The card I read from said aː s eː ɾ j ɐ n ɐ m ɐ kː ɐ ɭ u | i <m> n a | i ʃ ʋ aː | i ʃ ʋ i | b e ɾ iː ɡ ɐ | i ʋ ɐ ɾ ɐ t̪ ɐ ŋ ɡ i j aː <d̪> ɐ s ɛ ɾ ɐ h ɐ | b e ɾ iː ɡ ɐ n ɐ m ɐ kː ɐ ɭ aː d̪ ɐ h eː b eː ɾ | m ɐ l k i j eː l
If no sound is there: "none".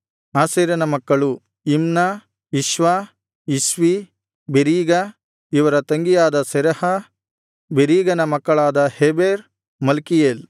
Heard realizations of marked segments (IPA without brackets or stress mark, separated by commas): m, d̪